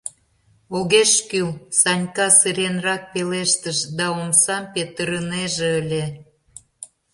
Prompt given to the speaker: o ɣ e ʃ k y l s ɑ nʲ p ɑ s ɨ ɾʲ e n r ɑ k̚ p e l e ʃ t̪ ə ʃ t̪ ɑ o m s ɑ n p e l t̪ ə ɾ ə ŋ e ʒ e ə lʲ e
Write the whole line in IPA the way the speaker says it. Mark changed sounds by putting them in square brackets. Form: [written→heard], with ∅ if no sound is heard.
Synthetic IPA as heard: o ɣ e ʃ k y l s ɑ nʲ [p→k] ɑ s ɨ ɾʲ e n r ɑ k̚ p e l e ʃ t̪ ə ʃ [t̪→d̪] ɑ o m s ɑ [n→m] p e [l→∅] t̪ ə ɾ ə [ŋ→n] e ʒ e ə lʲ e